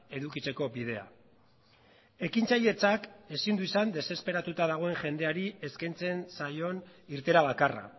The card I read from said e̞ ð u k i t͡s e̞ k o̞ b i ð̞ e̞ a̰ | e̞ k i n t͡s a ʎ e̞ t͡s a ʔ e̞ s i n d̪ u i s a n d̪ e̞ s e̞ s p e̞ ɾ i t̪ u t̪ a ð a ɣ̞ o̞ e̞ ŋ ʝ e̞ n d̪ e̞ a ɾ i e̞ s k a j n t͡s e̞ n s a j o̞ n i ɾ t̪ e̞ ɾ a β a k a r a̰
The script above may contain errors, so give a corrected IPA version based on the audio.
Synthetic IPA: e̞ ð u k i t͡s e̞ k o̞ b i ð̞ e̞ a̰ | e̞ k i n t͡s a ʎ e̞ t͡s a k e̞ s i n d̪ u i s a n d̪ e̞ s e̞ s p e̞ ɾ a t̪ u t̪ a ð a ɣ̞ o̞ e̞ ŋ ʝ e̞ n d̪ e̞ a ɾ i e̞ s k a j n t͡s e̞ n s a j o̞ n i ɾ t̪ e̞ ɾ a β a k a r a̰